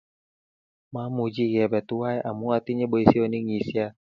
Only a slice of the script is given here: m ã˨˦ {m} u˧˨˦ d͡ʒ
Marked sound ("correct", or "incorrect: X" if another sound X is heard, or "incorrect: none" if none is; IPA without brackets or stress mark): correct